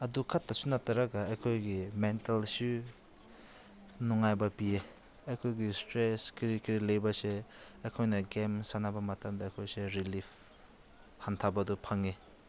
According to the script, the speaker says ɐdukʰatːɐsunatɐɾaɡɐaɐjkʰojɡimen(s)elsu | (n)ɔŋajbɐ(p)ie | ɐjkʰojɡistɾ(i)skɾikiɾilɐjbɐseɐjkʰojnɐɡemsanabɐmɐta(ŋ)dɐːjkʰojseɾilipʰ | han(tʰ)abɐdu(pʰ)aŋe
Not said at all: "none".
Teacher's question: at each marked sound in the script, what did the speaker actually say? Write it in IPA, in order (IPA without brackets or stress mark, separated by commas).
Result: t, n, p, e, m, tʰ, pʰ